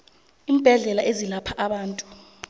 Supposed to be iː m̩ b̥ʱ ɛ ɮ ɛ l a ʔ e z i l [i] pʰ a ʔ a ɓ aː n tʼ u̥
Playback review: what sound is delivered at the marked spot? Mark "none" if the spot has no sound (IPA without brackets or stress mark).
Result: a